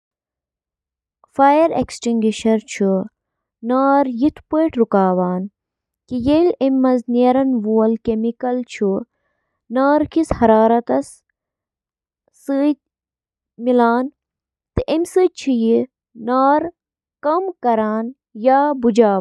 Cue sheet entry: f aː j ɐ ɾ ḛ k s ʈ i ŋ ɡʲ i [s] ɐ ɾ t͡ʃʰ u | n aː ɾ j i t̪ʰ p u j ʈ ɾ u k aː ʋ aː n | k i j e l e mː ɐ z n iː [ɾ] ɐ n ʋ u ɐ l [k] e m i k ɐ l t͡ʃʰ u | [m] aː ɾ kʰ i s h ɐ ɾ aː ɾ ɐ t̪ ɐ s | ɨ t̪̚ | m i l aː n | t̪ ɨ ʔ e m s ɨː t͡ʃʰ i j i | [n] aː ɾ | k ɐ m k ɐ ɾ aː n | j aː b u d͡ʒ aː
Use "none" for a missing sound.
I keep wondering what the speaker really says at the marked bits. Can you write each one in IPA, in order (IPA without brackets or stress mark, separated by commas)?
ʃ, ɾ, k, n, n